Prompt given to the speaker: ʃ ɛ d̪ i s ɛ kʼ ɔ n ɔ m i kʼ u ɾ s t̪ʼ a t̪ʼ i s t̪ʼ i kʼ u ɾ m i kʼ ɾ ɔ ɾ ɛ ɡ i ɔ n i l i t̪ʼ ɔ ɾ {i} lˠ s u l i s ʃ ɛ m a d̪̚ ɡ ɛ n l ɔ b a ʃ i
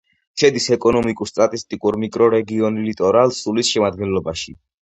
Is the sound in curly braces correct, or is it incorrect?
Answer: incorrect